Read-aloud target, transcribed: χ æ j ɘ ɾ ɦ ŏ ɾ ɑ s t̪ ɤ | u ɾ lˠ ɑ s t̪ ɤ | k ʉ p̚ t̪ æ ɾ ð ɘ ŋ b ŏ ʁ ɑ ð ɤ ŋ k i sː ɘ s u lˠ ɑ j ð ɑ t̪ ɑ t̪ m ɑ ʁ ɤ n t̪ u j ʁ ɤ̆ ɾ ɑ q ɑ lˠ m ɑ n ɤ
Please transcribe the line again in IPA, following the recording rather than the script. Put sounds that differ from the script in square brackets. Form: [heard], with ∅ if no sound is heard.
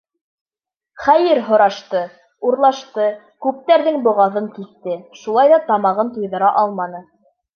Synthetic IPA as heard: χ æ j ɘ ɾ ɦ ŏ ɾ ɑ [ʃ] t̪ ɤ | u ɾ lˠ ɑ [ʃ] t̪ ɤ | k ʉ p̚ t̪ æ ɾ ð ɘ ŋ b ŏ ʁ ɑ ð ɤ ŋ k i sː ɘ [ʃ] u lˠ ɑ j ð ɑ t̪ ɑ [∅] m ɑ ʁ ɤ n t̪ u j [ð] ɤ̆ ɾ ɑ [ʔ] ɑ lˠ m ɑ n ɤ